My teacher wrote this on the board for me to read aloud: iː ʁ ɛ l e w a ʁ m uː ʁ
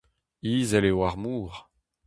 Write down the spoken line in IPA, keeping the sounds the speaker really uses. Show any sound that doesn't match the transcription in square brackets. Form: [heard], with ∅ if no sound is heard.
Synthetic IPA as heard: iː [z] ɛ l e w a ʁ m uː ʁ

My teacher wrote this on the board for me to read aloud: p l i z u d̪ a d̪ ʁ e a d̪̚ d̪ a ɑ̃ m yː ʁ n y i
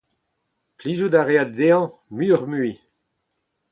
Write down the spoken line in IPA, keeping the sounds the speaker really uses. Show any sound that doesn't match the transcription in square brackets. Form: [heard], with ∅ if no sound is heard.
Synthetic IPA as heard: p l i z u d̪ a [∅] ʁ e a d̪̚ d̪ [e] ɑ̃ m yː ʁ [m] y i

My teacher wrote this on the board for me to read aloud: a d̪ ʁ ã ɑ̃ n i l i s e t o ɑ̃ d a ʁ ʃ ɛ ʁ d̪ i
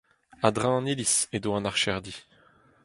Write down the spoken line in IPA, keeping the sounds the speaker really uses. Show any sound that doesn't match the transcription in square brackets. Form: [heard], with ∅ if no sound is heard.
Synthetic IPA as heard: a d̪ ʁ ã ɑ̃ n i l i s e [d] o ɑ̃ [n] a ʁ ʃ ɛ ʁ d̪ i

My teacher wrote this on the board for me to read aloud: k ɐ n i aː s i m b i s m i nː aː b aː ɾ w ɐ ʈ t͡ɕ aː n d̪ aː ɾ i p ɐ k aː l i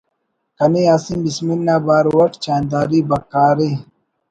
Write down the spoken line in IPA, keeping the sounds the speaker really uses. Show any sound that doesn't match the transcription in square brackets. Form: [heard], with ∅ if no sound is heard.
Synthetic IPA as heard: k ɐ n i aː s i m b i s m i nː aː b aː ɾ w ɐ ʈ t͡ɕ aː n d̪ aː ɾ i [b] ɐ k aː [ɾ] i

